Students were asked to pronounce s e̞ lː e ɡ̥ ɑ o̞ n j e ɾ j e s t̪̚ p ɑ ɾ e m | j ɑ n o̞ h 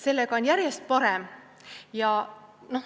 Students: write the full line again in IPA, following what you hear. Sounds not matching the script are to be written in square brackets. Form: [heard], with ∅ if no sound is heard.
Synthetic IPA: s e̞ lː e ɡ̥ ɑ o̞ n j [æ] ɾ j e s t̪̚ p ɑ ɾ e m | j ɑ n o̞ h

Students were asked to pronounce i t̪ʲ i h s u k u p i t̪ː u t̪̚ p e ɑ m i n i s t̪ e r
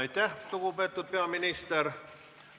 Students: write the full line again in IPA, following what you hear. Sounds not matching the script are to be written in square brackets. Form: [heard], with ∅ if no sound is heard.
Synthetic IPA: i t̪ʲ [æ] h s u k u p [e] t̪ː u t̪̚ p e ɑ m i n i s t̪ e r

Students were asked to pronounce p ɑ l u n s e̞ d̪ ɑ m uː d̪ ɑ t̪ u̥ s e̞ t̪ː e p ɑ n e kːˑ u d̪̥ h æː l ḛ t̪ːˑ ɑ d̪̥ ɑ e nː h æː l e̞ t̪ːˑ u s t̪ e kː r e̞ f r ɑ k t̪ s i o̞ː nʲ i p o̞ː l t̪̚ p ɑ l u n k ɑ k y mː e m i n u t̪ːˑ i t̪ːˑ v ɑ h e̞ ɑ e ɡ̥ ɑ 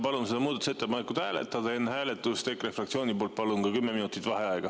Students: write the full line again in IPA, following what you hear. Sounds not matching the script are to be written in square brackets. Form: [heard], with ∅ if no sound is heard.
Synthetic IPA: p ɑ l u n s e̞ d̪ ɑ m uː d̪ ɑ t̪ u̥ s e̞ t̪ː e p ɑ n e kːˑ u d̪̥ h æː l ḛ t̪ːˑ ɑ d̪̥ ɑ e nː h æː l e̞ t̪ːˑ u s t̪ e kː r e̞ f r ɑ k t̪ s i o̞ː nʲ i p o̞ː l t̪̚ p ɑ l u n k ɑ k y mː e m i n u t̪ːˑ i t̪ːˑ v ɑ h e̞ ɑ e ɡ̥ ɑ

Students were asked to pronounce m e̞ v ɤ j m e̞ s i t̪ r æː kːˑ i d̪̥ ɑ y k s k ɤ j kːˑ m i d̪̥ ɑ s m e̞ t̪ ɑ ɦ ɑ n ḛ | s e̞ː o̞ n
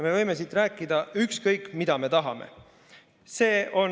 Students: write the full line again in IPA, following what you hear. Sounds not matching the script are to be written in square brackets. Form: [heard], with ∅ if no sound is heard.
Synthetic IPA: m e̞ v ɤ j m e̞ s i t̪ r æː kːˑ i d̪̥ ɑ y k s k ɤ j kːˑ m i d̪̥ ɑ [∅] m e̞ t̪ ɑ ɦ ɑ [m] ḛ | s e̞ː o̞ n

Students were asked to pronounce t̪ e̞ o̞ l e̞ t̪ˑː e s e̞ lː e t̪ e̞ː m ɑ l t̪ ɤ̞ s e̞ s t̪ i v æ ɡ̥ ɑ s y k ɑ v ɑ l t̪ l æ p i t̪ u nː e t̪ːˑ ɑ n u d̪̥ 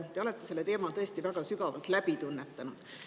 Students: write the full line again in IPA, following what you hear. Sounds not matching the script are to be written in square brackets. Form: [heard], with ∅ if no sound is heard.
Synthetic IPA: t̪ e̞ o̞ l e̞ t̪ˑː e s e̞ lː e t̪ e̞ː m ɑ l t̪ ɤ̞ [∅] e̞ s t̪ i v æ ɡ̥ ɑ s y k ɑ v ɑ l t̪ l æ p i t̪ u nː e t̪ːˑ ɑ n u d̪̥

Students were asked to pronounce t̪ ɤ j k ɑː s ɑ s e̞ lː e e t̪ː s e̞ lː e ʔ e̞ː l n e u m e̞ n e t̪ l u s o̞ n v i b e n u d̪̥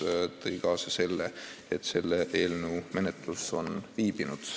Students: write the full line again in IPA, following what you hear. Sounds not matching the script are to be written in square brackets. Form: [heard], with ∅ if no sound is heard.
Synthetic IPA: t̪ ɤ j k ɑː s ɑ s e̞ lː e e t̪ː s e̞ lː e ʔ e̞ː l n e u m e̞ n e t̪ l u s o̞ n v [iː] b [i] n u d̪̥

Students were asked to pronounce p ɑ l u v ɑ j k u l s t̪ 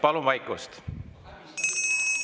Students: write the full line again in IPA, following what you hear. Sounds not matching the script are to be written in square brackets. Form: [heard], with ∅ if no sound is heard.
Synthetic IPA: p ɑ l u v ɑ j k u [∅] s t̪

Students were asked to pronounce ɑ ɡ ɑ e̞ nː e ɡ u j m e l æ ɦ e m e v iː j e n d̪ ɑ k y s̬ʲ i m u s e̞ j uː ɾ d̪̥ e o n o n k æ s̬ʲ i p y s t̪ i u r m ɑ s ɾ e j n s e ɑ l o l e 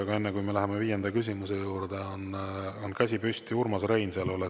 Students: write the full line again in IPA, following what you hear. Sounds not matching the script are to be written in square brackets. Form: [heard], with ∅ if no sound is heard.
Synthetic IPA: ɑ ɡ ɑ e̞ nː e [k] u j m e l æ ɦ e m e v iː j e n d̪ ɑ k y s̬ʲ i m u s e̞ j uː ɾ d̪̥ e o n o n k æ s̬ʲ i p y s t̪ i u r m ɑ s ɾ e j n s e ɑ l o l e

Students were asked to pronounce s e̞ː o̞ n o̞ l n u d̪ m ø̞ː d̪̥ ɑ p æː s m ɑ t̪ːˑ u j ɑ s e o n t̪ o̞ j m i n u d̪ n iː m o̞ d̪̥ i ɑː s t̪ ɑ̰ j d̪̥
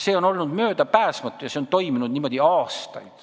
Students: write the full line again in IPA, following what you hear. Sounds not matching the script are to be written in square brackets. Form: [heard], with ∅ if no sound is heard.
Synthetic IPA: s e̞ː o̞ n o̞ l n u d̪ m ø̞ː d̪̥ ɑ p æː s m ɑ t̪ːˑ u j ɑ s e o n t̪ o̞ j m i n u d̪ n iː m o̞ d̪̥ i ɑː s t̪ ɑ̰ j d̪̥

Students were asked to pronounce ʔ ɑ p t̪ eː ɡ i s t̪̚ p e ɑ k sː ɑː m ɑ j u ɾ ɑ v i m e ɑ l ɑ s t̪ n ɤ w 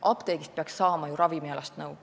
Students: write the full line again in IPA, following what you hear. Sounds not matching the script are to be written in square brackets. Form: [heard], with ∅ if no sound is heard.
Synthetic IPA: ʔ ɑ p t̪ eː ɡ i s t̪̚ p e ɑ k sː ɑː m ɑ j u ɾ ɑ v i m [i] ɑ l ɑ s t̪ n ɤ w

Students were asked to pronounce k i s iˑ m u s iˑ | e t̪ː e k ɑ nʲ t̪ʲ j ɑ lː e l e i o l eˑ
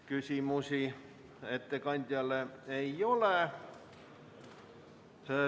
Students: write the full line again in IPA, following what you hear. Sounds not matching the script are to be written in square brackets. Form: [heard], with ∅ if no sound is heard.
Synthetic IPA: k [y] s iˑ m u s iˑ | e t̪ː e k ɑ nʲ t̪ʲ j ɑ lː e [∅] e i o l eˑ

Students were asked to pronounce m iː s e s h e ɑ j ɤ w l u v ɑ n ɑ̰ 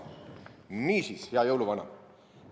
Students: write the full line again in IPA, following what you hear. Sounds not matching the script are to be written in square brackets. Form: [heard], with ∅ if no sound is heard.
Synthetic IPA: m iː s [i] s h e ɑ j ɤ w l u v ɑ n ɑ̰

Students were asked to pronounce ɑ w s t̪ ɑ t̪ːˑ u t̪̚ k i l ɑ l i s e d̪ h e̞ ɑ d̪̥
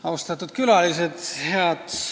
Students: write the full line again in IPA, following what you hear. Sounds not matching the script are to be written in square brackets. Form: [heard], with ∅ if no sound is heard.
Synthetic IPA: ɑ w s t̪ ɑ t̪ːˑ u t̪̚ k [y] l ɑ l i s e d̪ h e̞ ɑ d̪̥

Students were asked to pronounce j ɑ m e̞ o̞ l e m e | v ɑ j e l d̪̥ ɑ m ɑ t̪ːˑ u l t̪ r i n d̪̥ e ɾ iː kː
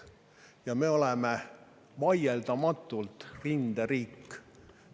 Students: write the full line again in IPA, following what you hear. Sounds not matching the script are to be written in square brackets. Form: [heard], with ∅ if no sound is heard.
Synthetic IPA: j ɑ m e̞ o̞ l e m e | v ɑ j e l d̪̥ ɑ m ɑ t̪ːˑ u l t̪ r i n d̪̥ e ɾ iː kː

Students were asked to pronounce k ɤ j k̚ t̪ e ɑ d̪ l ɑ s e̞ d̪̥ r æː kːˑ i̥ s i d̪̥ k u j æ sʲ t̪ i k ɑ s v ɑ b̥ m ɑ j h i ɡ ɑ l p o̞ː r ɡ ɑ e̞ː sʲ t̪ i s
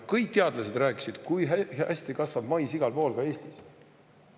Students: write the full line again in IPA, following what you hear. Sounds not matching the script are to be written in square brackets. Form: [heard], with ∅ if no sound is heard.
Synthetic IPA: k ɤ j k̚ t̪ e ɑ d̪ l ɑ s e̞ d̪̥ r æː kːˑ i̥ s i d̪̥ k u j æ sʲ t̪ i k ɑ s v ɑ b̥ m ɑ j [s] i ɡ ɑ l p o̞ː [l] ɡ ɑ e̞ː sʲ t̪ i s

